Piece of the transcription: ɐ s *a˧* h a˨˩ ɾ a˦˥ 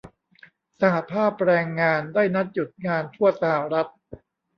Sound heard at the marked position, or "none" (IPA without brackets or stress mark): a˧